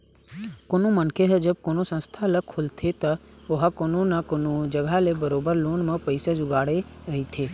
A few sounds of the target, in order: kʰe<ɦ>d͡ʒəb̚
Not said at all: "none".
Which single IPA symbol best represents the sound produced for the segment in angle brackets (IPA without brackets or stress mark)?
ɦ